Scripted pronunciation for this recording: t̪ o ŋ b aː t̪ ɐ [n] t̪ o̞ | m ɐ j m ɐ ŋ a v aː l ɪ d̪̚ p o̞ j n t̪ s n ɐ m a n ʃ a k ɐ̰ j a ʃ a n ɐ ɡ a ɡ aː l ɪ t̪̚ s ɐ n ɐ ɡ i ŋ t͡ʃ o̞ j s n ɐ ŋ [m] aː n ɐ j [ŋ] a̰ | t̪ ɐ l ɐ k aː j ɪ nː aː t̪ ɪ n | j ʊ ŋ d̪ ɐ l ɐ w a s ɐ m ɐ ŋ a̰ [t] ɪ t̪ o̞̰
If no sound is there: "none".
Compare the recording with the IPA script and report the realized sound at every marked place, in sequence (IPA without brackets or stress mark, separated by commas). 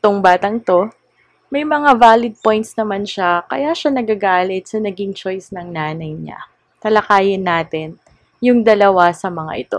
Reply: ŋ, n, ɲ, ʔ